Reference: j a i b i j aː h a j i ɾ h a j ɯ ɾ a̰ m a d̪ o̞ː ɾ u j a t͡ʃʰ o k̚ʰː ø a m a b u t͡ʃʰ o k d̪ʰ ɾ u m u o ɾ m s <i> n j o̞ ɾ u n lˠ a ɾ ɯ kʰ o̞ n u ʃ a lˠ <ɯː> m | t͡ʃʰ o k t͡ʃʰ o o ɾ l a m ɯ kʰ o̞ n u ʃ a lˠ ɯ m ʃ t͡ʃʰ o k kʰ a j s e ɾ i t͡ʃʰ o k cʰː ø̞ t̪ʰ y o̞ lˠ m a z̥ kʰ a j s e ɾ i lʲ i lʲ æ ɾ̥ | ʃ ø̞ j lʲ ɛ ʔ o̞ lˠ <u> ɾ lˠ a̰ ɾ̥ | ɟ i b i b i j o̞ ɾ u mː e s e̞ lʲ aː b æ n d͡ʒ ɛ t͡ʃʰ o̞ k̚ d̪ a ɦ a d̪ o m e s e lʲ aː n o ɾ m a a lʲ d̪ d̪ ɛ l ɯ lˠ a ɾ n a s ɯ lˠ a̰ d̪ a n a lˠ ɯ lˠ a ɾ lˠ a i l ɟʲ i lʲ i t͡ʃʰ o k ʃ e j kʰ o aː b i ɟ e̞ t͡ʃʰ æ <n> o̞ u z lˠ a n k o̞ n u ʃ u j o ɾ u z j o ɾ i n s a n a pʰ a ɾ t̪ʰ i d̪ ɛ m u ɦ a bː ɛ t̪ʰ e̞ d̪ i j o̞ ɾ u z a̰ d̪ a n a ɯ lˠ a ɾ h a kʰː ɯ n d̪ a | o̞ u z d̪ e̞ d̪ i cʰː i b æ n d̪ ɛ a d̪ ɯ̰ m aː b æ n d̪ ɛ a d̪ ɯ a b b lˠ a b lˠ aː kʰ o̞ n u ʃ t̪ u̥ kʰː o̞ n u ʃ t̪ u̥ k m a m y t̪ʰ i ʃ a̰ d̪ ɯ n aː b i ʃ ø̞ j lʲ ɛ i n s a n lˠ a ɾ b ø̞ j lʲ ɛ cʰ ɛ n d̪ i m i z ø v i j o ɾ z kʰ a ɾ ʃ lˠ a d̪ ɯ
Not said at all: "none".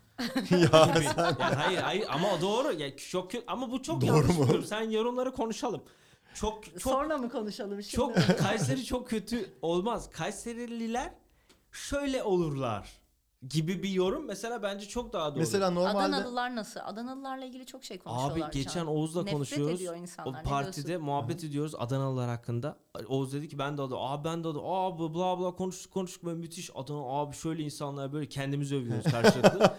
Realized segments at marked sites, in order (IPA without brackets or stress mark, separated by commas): æ, ɯ, u, n